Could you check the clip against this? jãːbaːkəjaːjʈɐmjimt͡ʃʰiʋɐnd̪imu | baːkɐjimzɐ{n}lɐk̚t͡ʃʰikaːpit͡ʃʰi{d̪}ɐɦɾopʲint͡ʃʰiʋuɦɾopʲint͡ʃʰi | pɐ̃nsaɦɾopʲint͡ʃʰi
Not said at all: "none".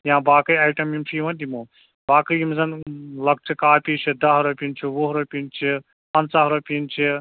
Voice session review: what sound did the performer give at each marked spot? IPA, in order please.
n, d̪

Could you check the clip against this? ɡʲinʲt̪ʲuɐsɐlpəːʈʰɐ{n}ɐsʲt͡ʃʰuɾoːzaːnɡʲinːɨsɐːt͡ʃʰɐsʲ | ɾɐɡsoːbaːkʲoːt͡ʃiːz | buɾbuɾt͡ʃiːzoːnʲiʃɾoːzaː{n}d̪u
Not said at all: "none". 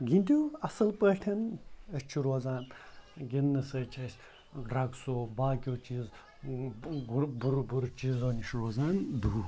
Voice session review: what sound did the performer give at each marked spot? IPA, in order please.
n, n

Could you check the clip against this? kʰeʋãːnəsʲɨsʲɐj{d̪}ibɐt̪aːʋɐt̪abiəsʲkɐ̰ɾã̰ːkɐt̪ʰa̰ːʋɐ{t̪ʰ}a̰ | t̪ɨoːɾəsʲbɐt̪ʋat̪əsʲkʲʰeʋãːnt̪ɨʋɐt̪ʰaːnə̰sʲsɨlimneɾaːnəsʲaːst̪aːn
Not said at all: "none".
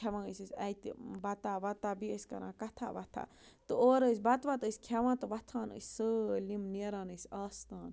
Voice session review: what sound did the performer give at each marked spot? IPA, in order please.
t̪, t̪ʰ

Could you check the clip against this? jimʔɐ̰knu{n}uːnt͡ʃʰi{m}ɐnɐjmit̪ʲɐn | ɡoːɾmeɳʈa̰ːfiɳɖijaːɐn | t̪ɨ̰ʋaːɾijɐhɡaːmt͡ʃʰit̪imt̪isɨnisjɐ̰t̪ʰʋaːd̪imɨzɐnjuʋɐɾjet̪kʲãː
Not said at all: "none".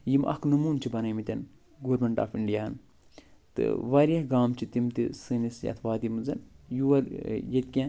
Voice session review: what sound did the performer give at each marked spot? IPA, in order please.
m, b

